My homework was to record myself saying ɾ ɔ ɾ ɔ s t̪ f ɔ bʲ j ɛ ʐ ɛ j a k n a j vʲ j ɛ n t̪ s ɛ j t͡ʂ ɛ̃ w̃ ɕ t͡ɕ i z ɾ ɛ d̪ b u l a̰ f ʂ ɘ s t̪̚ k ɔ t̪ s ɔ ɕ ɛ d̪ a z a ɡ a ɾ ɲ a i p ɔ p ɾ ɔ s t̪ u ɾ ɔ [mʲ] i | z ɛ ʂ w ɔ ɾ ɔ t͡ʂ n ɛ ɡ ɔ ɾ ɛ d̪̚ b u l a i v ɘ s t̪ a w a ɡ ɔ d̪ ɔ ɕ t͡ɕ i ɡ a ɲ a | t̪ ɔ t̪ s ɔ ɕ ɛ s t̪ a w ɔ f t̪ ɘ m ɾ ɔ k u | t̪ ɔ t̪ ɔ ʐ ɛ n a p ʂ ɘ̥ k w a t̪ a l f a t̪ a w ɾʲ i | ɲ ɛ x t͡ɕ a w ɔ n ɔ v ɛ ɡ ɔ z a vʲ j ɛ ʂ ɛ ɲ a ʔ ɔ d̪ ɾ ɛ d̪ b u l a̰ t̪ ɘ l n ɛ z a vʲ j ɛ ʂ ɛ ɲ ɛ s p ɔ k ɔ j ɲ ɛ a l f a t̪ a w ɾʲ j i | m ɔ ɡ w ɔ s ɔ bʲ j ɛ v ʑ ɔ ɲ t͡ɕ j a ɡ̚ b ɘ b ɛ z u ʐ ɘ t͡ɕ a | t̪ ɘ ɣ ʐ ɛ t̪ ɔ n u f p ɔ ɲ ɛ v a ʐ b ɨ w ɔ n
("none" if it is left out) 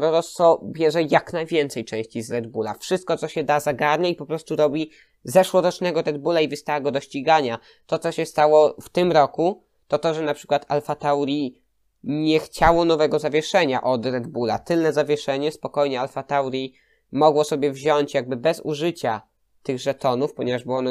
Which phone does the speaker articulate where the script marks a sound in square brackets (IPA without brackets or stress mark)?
bʲ